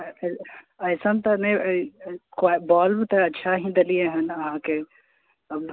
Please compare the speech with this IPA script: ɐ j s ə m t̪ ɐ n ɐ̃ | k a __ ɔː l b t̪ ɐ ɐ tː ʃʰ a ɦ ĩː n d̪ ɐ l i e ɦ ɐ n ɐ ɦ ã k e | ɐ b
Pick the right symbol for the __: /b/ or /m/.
b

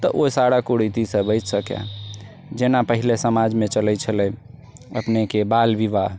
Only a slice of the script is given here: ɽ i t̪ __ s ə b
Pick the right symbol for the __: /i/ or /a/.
i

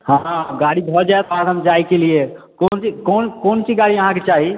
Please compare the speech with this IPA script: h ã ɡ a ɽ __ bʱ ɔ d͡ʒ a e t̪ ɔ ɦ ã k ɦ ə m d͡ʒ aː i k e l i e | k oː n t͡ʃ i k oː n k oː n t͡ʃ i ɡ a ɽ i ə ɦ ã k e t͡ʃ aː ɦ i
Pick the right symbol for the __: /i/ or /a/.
i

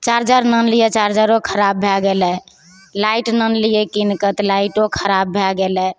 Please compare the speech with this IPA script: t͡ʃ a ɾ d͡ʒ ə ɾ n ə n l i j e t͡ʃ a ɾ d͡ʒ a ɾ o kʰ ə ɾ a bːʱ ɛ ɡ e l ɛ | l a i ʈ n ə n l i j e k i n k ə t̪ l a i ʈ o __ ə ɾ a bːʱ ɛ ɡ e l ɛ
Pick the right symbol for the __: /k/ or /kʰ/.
kʰ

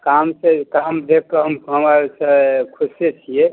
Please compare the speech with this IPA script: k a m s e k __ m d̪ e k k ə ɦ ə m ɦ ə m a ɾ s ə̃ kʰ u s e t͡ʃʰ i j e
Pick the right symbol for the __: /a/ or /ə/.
a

